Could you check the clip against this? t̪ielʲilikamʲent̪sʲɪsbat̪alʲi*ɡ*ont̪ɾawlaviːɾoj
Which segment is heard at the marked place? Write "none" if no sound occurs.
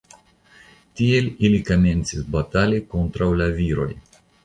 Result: k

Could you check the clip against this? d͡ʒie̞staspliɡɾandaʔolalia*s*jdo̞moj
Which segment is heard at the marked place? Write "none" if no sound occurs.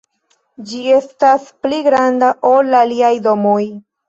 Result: none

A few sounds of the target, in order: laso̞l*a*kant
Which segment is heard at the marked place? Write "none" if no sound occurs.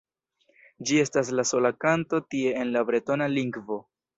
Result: a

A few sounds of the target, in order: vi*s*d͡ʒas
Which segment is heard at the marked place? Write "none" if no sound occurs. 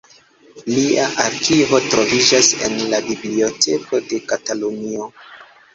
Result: none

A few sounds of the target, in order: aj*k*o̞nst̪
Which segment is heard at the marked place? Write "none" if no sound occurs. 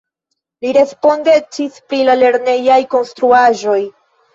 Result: k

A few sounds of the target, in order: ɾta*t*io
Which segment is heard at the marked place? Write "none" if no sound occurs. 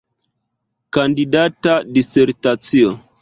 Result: t͡s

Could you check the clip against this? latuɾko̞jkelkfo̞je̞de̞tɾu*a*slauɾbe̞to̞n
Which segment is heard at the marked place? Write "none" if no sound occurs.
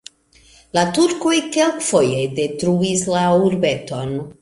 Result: i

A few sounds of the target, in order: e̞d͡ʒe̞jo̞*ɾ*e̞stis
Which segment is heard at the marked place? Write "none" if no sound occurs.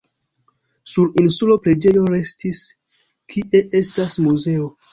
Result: ɾ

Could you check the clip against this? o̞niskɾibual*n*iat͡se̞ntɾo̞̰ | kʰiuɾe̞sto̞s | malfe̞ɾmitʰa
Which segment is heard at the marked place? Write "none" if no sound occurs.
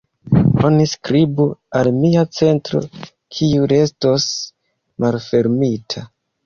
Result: m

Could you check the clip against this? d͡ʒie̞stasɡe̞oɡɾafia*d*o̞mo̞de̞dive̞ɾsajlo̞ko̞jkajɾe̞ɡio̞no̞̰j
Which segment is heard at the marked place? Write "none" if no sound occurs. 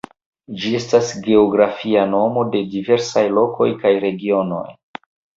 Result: n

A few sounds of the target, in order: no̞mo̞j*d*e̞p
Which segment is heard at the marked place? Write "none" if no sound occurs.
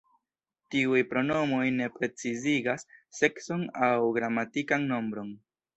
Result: n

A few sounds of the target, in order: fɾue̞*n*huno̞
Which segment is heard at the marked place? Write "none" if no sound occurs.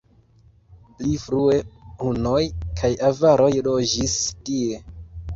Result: none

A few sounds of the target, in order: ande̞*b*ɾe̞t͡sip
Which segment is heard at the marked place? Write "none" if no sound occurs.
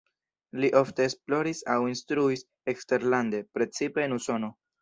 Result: p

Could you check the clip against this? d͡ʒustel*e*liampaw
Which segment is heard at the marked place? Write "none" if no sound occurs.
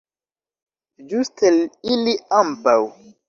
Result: i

